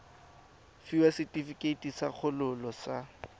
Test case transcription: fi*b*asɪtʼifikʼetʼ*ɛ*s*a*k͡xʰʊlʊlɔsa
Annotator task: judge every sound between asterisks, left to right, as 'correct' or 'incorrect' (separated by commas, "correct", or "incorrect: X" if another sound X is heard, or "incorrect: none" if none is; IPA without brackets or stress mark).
incorrect: w, incorrect: i, correct